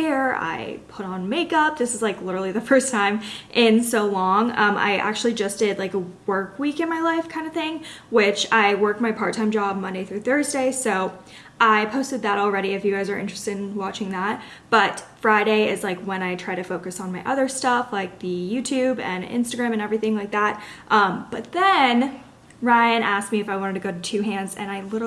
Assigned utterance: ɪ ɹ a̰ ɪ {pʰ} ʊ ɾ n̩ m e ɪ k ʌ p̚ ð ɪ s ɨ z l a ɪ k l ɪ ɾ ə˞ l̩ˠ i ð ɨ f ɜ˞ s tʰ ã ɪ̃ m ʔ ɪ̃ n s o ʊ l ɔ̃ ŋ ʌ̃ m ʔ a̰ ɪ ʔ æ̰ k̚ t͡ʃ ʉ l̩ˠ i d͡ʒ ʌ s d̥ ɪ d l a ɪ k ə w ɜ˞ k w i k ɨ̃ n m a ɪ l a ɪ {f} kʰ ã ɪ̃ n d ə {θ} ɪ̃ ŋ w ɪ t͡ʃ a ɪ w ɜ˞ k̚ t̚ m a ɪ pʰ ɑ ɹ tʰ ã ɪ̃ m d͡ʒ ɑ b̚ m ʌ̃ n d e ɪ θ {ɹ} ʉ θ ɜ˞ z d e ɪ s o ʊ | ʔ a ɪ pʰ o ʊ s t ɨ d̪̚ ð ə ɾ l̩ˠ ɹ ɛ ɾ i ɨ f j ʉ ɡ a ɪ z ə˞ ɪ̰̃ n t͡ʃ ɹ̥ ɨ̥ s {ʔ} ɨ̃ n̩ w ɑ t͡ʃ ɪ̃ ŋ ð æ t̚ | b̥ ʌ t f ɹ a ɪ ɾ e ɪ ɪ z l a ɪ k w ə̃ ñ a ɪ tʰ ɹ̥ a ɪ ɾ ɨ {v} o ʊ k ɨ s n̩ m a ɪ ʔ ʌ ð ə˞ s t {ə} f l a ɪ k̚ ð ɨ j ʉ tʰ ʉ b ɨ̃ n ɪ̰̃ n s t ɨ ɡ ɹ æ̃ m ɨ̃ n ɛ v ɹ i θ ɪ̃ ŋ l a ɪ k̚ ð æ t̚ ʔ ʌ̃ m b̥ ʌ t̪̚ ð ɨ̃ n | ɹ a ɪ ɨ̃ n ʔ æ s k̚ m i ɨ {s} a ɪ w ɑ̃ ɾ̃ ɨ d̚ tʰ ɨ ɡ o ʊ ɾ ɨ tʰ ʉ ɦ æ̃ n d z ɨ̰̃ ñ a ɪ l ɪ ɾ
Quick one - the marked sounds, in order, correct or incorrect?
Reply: correct, correct, correct, correct, incorrect, incorrect, incorrect, incorrect

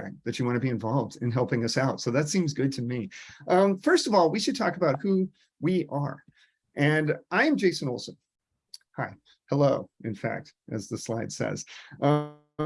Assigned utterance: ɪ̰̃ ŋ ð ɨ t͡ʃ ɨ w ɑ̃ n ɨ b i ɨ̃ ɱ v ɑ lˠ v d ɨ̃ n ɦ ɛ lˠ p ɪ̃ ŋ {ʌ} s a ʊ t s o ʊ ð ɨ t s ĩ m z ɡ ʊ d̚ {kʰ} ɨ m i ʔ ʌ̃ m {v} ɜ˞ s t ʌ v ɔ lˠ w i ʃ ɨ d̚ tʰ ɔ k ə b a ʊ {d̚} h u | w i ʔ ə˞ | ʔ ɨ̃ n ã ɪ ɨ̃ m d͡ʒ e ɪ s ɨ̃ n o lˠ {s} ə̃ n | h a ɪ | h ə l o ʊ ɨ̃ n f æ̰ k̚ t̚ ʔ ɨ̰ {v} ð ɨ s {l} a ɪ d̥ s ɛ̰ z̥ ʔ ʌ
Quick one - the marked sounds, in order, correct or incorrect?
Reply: correct, incorrect, incorrect, incorrect, correct, incorrect, correct

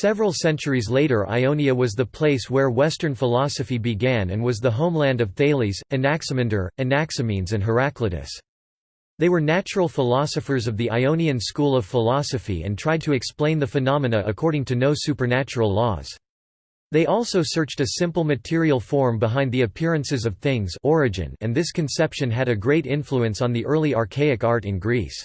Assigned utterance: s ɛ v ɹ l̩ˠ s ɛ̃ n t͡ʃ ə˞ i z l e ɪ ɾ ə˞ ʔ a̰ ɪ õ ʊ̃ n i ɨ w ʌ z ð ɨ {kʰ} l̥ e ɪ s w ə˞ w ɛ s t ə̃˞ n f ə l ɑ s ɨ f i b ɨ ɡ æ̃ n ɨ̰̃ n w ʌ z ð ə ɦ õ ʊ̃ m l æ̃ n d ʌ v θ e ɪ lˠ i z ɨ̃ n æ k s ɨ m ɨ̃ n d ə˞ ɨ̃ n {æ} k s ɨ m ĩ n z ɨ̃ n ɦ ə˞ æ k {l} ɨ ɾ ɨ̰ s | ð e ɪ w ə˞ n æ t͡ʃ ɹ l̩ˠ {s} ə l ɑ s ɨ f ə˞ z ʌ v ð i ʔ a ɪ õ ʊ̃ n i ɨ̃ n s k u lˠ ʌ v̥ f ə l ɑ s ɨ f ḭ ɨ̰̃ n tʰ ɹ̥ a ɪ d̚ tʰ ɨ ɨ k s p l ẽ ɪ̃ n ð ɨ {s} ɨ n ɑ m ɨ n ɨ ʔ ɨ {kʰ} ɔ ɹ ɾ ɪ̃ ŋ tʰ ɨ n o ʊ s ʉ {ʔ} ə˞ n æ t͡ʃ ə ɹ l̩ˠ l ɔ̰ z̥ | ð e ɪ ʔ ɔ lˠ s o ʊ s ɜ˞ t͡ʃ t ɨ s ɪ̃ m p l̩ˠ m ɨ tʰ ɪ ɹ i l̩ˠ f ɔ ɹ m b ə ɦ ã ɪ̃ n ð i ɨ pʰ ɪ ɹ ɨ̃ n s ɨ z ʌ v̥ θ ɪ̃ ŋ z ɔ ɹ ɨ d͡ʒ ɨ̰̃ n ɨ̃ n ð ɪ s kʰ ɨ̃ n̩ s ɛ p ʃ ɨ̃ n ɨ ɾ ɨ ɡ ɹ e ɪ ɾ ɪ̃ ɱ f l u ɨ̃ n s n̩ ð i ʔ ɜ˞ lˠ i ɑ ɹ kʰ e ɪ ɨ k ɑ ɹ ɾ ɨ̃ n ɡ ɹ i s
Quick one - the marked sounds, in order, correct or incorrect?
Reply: incorrect, correct, correct, incorrect, incorrect, correct, incorrect

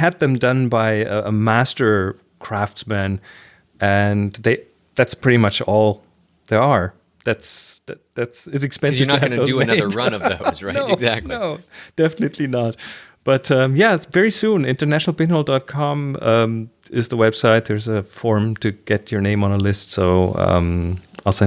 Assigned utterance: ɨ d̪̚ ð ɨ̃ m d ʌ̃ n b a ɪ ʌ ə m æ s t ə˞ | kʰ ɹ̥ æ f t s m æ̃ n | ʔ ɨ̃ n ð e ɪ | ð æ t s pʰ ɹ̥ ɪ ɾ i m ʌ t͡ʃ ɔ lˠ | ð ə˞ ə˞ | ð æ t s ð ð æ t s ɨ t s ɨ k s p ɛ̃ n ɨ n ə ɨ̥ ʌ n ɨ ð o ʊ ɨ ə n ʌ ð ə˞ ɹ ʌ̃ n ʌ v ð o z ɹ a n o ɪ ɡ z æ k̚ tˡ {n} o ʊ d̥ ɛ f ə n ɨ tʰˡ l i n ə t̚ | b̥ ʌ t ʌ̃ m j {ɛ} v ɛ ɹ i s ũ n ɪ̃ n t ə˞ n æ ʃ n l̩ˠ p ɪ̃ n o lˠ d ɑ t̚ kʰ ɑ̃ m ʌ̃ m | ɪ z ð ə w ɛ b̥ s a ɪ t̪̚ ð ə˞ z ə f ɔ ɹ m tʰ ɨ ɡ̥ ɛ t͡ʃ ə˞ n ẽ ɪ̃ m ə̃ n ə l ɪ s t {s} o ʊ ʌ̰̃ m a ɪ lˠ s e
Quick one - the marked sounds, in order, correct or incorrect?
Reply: correct, incorrect, correct

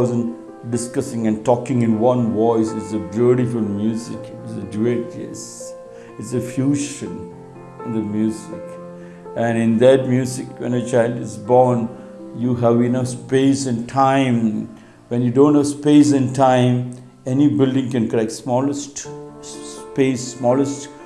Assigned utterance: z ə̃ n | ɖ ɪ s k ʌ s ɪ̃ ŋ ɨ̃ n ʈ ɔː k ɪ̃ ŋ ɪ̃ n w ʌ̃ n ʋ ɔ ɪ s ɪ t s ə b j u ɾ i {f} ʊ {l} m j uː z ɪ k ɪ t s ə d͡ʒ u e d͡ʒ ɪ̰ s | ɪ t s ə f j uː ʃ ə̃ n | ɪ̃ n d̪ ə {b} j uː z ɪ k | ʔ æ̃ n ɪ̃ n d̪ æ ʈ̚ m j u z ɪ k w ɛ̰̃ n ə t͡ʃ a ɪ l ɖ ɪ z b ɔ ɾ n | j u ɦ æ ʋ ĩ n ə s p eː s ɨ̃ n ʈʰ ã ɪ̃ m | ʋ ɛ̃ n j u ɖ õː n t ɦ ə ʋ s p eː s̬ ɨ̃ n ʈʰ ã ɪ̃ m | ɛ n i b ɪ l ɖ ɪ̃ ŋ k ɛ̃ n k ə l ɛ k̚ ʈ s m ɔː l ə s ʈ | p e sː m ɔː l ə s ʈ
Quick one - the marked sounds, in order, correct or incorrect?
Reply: correct, correct, incorrect

